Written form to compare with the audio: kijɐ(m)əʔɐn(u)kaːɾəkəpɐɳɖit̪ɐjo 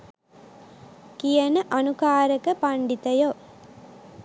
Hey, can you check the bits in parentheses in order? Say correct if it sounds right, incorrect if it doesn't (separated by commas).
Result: incorrect, correct